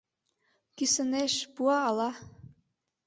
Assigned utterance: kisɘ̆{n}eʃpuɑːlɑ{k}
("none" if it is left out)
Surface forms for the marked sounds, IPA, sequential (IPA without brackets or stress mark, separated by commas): n, none